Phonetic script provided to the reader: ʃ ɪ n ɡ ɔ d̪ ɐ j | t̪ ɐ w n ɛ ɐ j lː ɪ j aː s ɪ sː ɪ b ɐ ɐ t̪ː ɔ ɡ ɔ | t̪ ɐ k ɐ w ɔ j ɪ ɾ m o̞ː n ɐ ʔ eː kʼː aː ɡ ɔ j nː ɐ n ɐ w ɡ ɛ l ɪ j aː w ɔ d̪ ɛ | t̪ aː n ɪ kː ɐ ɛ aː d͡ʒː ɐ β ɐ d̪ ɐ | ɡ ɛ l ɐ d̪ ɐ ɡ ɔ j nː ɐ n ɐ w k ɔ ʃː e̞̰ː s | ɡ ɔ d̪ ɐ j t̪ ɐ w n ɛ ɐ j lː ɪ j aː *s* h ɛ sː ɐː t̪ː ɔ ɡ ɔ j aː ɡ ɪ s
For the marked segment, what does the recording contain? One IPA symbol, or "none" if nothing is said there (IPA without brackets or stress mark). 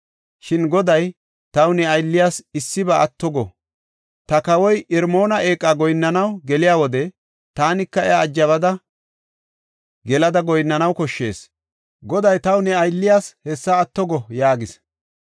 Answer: s